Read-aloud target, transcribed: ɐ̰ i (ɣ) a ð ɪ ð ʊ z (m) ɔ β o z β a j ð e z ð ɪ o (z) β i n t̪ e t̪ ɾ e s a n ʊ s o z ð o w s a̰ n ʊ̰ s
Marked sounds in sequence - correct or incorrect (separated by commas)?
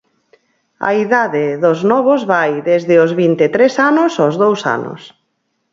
incorrect, incorrect, correct